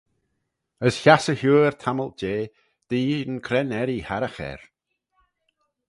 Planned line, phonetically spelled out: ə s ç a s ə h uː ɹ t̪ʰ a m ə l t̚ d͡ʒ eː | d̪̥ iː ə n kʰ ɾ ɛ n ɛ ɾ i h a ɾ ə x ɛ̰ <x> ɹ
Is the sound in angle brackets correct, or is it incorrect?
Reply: incorrect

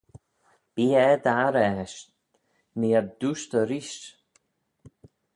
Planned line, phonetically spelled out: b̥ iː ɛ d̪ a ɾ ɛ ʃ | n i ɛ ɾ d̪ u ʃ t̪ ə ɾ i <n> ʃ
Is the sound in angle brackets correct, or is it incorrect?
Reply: incorrect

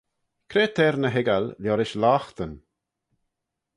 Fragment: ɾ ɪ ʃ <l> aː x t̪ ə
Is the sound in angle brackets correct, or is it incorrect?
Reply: correct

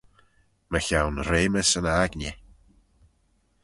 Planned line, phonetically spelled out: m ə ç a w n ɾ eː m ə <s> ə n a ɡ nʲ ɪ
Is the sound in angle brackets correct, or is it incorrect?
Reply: correct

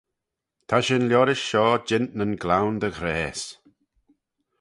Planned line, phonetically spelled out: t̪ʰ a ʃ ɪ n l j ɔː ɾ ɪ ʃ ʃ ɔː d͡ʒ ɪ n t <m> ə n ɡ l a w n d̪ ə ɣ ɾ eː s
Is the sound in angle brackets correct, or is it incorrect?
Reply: incorrect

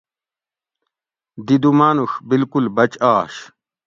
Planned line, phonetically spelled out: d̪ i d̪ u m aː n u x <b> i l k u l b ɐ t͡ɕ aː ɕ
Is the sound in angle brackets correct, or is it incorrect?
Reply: correct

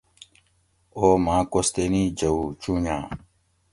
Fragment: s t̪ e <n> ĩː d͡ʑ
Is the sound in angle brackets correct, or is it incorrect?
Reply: correct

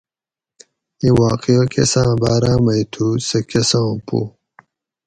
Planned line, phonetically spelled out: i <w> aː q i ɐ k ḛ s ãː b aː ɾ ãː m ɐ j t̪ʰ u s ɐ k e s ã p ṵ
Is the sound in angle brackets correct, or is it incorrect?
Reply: correct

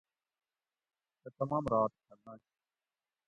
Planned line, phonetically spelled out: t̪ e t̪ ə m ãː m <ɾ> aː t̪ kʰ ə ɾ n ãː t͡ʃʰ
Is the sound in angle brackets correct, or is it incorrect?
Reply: correct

